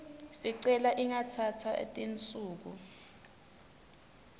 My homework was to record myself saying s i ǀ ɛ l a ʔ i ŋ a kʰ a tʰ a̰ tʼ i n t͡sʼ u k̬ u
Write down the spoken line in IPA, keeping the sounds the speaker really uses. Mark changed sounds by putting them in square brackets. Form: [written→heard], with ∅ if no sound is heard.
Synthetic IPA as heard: s i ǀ ɛ l a ʔ i ŋ a [kʰ→tʰ] a tʰ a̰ tʼ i n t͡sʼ [u→uː] k̬ u